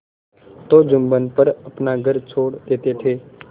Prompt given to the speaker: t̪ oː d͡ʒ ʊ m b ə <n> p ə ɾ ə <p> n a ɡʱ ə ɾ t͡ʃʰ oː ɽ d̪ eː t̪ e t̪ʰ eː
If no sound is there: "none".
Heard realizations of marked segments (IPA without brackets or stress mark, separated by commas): n, p